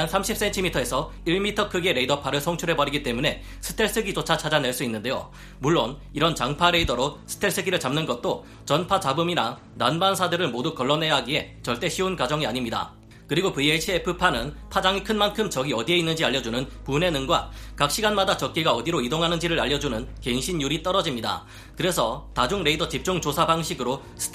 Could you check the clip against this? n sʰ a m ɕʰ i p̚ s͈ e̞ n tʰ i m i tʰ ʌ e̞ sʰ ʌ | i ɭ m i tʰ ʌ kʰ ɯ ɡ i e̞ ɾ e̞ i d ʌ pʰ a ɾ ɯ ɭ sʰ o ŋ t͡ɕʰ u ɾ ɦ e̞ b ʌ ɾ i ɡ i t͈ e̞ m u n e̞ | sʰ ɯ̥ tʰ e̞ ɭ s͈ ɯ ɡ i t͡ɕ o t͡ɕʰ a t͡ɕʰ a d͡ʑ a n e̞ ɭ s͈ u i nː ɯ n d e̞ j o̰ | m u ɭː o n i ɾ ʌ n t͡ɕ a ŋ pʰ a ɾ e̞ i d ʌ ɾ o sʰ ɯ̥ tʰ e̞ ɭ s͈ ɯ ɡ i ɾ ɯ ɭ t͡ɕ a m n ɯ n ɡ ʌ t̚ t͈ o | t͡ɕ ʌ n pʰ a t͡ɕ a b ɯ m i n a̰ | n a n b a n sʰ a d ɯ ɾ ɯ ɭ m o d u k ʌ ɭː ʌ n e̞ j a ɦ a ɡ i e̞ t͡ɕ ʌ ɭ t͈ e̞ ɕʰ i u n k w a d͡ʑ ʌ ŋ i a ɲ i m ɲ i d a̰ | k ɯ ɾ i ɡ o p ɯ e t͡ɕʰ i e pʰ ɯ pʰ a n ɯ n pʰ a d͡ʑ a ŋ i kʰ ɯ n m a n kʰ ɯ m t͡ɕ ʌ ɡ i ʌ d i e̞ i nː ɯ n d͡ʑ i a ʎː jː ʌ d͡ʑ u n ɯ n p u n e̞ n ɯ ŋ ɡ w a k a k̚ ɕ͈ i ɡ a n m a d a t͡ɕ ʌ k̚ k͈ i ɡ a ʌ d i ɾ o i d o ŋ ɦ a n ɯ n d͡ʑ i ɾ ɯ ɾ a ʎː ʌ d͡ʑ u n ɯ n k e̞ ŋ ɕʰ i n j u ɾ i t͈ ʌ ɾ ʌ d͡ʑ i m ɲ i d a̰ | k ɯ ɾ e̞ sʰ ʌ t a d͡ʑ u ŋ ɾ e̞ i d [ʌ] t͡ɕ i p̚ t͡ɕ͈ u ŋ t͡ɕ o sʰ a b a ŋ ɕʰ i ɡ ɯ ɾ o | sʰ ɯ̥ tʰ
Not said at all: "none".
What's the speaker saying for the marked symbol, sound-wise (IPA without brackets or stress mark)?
ʌ